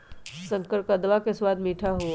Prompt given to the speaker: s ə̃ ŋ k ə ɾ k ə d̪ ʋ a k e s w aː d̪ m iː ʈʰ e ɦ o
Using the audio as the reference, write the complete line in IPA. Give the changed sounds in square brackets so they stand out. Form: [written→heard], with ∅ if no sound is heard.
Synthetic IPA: s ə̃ ŋ k ə ɾ k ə d̪ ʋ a k e s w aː d̪ m iː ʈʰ [e→a] ɦ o